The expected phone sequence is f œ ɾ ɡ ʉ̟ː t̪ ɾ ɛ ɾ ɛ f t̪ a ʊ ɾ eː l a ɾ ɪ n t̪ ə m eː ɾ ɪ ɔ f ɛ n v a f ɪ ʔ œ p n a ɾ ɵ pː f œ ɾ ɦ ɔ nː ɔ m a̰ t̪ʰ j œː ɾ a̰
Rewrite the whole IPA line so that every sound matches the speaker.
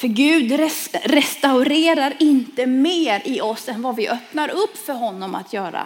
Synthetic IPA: f œ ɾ ɡ ʉ̟ː d̪ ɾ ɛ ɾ ɛ s t̪ a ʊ ɾ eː ɾ a ɾ ɪ n t̪ ə m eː ɾ ɪ ɔ s ɛ n v a v ɪ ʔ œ p n a ɾ ɵ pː f œ ɾ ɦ ɔ nː ɔ m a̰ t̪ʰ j œː ɾ a̰